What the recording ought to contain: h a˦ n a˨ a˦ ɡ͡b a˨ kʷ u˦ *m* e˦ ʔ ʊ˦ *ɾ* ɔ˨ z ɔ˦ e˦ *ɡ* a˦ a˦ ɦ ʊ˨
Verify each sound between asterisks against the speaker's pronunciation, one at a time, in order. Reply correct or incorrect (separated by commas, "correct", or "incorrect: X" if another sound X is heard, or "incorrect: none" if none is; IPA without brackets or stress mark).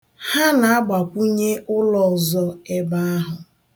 incorrect: ɲ, incorrect: l, incorrect: b